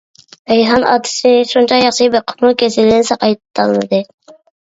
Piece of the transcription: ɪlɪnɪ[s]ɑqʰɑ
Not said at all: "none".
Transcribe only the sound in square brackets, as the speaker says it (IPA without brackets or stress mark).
s